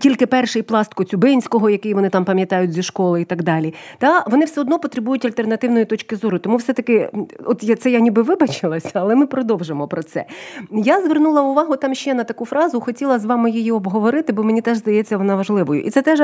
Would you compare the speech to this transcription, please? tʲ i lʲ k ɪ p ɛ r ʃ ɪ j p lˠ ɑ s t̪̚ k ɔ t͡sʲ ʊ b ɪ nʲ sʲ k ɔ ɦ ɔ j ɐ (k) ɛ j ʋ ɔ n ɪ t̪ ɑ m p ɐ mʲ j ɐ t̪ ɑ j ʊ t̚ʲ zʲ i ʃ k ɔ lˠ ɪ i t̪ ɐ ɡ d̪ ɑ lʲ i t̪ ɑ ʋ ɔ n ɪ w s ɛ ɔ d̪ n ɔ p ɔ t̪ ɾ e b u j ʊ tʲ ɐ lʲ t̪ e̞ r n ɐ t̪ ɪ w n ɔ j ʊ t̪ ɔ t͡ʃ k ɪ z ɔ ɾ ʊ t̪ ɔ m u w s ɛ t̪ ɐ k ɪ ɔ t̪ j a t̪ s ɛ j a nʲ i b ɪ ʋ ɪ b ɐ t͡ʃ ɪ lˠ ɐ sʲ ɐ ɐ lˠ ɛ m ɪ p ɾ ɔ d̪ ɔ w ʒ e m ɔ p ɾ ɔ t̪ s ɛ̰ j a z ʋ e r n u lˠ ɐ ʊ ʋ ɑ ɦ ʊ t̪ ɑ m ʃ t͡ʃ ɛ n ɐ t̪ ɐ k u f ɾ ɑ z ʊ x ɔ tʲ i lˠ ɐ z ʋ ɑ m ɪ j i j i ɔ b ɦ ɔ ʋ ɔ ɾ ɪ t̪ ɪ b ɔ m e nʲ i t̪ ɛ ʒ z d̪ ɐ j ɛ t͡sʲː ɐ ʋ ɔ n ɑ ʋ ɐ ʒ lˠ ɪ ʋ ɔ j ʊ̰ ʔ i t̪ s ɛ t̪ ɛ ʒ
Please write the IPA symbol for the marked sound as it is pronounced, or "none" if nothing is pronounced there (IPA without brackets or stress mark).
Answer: k